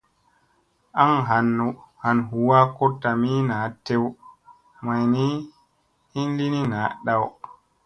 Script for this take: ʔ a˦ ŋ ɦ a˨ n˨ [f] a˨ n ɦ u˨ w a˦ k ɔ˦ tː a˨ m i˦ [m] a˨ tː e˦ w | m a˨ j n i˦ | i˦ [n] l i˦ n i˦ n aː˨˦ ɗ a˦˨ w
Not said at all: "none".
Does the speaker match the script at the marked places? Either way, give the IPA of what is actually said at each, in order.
h, n, n

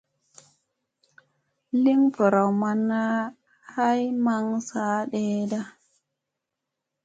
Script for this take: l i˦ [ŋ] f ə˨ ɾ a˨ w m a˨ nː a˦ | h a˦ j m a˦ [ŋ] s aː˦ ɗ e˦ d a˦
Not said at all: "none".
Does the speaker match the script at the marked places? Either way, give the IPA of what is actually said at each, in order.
ŋ, ŋ

